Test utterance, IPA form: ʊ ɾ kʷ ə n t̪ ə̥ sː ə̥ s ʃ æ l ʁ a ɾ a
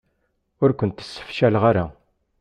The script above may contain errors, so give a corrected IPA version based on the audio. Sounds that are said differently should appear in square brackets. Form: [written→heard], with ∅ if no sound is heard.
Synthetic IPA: ʊ ɾ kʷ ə n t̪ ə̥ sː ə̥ [s→f] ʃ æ l ʁ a ɾ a